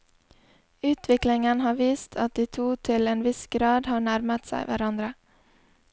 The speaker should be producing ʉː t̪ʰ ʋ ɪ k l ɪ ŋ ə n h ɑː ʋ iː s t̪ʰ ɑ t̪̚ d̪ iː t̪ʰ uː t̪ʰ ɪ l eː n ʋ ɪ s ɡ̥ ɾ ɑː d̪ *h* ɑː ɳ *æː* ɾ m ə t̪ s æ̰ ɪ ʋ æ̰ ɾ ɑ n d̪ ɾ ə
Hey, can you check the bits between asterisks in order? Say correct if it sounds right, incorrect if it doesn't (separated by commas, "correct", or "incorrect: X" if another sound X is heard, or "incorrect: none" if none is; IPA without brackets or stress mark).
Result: correct, incorrect: æ